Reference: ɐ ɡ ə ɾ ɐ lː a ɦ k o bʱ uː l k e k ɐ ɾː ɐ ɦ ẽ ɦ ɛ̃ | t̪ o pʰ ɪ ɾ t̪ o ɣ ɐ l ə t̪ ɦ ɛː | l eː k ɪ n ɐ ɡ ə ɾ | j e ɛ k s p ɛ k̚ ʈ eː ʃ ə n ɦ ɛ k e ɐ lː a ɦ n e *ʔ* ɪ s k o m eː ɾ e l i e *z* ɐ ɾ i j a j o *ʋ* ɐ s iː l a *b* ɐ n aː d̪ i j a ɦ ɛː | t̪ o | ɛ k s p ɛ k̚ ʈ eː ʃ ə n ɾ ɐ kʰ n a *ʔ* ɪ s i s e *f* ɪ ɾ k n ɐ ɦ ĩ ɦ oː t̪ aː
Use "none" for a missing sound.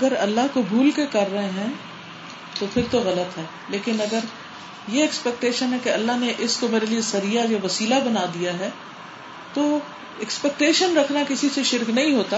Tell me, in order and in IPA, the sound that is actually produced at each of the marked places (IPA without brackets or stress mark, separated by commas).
ʔ, s, ʋ, b, k, ʃ